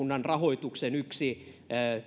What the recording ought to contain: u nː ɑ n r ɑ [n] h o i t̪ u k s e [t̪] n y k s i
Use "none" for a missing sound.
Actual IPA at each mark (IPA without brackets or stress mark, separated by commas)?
none, none